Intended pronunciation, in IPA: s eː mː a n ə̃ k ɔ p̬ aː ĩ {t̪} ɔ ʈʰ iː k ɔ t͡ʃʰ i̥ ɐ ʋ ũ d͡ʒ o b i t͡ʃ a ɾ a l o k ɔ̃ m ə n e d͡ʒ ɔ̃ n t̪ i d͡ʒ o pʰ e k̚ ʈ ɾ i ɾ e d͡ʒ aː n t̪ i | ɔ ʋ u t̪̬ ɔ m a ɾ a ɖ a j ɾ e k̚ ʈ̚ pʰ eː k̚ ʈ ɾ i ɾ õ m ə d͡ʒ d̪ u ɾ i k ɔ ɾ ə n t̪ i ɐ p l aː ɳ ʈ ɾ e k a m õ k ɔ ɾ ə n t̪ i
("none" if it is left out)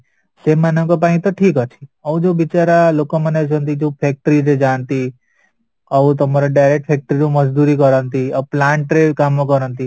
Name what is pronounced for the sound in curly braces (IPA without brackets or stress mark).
t̪